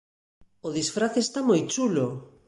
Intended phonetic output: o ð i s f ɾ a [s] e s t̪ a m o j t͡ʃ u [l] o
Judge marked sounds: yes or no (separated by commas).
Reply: no, yes